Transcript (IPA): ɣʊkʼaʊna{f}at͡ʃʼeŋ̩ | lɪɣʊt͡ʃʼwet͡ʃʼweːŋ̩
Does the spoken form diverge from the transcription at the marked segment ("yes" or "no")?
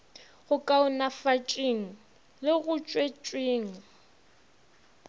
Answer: no